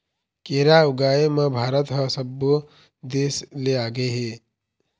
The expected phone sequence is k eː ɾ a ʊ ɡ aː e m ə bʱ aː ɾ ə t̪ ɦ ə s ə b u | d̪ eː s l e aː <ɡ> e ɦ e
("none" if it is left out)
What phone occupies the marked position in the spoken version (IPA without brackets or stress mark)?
ɡ